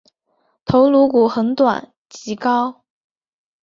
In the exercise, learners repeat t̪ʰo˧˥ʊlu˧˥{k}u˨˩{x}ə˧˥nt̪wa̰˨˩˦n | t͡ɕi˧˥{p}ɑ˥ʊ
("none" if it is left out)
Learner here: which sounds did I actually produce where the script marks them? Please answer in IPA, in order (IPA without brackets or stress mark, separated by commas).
k, x, k